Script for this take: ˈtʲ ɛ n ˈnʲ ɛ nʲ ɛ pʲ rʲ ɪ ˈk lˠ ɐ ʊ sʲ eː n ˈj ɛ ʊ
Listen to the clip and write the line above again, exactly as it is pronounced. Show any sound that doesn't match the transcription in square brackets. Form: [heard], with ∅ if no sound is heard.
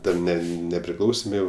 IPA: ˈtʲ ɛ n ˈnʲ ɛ nʲ ɛ pʲ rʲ ɪ ˈk lˠ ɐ ʊ sʲ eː [m] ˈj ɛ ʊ